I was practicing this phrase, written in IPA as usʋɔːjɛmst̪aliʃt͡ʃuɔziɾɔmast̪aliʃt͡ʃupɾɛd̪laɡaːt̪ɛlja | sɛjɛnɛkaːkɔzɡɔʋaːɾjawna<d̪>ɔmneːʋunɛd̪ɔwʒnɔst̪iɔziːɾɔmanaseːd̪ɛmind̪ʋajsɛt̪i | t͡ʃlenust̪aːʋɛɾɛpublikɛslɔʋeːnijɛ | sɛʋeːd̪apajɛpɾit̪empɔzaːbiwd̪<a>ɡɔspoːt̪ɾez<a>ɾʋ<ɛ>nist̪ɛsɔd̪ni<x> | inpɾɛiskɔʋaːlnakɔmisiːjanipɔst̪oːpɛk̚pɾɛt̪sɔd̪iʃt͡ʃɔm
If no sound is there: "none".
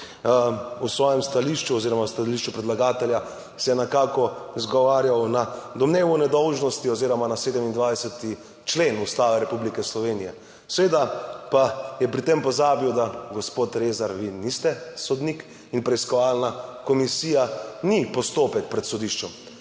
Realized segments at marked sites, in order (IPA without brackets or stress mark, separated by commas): d̪, a, a, i, k